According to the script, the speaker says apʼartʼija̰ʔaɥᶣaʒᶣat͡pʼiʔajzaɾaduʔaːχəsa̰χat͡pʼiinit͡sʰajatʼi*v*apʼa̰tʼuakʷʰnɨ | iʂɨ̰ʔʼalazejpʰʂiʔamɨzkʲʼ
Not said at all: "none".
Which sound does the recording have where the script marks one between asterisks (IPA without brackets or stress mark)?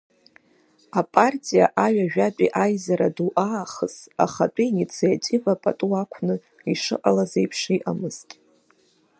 v